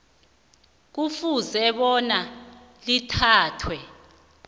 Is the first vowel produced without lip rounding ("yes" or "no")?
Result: no